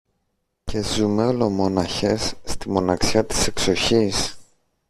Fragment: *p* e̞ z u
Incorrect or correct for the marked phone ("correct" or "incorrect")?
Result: incorrect